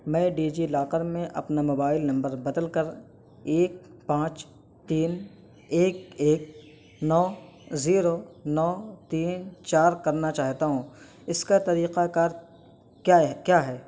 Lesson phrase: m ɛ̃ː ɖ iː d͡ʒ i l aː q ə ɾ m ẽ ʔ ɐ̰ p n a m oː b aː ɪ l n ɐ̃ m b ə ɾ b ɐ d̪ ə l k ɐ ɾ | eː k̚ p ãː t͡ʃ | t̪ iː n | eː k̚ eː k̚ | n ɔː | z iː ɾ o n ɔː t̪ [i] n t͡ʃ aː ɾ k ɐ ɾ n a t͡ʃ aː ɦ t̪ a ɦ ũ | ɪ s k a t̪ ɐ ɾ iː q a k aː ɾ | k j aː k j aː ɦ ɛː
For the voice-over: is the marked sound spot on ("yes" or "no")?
no